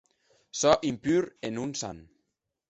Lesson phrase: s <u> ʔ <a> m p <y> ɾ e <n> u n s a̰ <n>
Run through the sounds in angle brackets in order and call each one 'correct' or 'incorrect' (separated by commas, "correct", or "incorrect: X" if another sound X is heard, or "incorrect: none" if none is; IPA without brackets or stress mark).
incorrect: ɔ, incorrect: i, correct, correct, correct